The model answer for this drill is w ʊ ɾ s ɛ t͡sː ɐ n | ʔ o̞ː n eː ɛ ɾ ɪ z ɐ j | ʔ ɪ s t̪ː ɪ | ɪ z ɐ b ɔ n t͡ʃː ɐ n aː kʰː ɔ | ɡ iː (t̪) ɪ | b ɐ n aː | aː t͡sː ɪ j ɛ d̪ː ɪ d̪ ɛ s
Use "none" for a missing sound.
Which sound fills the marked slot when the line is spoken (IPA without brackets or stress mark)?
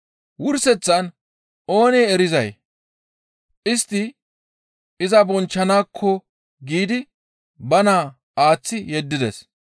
d̪